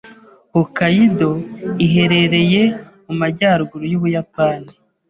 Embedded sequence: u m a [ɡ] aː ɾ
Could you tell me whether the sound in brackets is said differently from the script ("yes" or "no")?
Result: yes